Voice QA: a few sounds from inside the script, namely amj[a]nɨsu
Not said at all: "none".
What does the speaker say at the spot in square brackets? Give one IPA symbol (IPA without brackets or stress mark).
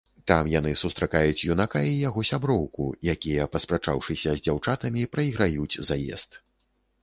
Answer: a